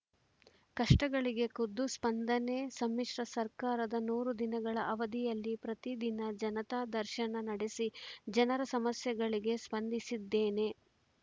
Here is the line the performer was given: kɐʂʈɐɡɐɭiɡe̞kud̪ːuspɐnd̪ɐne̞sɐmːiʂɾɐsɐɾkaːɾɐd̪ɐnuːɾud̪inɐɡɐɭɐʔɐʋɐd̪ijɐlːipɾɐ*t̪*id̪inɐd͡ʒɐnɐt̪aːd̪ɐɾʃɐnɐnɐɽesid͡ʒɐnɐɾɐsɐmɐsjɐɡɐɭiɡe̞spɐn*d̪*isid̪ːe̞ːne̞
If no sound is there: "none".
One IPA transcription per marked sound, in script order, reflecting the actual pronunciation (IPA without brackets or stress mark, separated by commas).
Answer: t̪, d̪